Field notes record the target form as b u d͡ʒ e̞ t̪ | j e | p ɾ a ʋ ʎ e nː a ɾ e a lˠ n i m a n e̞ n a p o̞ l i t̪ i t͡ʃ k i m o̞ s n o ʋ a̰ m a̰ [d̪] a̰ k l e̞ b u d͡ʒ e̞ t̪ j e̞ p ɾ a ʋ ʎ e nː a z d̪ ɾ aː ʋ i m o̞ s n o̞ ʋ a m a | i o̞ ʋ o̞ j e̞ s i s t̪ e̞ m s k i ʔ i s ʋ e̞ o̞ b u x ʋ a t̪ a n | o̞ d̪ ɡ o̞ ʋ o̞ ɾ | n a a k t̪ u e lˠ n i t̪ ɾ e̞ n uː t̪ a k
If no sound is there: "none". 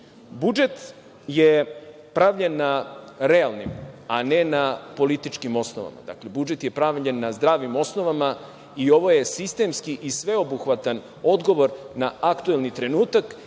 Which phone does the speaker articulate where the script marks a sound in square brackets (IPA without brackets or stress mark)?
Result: d̪